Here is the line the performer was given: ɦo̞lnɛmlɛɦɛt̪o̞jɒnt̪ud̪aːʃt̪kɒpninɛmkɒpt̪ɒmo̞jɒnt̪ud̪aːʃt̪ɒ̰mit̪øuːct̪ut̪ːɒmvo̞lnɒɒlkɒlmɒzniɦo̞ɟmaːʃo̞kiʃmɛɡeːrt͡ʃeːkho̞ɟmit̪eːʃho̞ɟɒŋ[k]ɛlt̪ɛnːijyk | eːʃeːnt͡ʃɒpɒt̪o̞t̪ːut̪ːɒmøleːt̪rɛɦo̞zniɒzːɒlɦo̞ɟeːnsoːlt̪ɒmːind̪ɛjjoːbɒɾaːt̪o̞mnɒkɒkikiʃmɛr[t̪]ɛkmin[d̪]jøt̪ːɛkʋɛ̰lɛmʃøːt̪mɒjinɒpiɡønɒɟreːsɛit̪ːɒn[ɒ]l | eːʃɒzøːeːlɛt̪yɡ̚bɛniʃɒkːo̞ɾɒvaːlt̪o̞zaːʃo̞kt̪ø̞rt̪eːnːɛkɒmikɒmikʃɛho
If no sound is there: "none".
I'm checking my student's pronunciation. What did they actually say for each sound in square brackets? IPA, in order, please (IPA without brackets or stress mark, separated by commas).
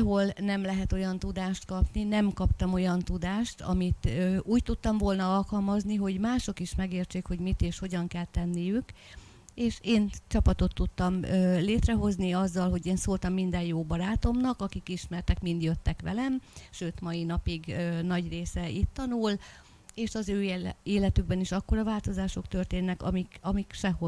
k, t̪, d̪, u